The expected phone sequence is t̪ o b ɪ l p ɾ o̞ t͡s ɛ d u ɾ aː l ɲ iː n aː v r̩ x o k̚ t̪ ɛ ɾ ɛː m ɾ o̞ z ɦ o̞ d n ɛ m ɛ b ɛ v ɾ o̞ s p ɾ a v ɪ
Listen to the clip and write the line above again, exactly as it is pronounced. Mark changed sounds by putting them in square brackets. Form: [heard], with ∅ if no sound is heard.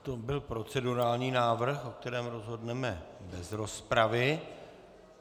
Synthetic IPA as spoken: t̪ o b ɪ l p ɾ o̞ t͡s ɛ d u ɾ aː l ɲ iː n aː v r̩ x o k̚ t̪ ɛ ɾ ɛː m ɾ o̞ z ɦ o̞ d n ɛ m ɛ b ɛ [z] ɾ o̞ s p ɾ a v ɪ